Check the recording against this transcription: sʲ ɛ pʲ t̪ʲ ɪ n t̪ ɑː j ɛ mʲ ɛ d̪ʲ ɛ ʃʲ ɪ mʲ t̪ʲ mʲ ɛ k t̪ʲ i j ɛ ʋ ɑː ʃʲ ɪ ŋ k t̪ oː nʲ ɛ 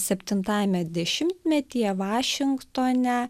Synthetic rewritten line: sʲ ɛ pʲ t̪ʲ ɪ n t̪ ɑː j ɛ mʲ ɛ d̪ʲ ɛ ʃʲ ɪ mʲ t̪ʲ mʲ ɛ t̪ʲ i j ɛ ʋ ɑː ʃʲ ɪ ŋ k t̪ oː nʲ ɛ

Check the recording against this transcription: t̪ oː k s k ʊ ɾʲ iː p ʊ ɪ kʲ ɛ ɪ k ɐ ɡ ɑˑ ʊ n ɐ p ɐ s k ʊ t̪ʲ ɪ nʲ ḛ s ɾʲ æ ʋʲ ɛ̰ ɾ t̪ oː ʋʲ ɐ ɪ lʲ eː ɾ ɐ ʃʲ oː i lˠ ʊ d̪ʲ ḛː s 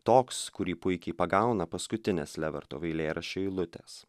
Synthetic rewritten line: t̪ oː k s k ʊ ɾʲ iː p ʊ ɪ kʲ ɛ ɪ p ɐ ɡ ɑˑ ʊ n ɐ p ɐ s k ʊ t̪ʲ ɪ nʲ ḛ s lʲ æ ʋʲ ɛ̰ ɾ t̪ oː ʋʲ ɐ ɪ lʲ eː ɾ ɐ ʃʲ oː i lˠ ʊ t̪ʲ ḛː s

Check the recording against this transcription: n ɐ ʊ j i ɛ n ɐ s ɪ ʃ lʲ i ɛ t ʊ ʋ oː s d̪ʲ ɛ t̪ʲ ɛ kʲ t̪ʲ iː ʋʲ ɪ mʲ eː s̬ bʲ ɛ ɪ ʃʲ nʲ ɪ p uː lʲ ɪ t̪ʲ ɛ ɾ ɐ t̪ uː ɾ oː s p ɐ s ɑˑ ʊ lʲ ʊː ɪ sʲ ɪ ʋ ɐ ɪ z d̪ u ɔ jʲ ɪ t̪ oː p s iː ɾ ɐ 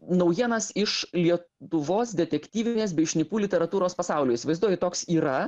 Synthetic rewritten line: n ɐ ʊ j i ɛ n ɐ s ɪ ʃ lʲ i ɛ t ʊ ʋ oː s d̪ʲ ɛ t̪ʲ ɛ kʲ t̪ʲ iː ʋʲ ɪ nʲ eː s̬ bʲ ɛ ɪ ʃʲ nʲ ɪ p uː lʲ ɪ t̪ʲ ɛ ɾ ɐ t̪ uː ɾ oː s p ɐ s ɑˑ ʊ lʲ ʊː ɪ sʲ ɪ ʋ ɐ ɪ z d̪ u ɔ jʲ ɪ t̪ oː k s iː ɾ ɐ

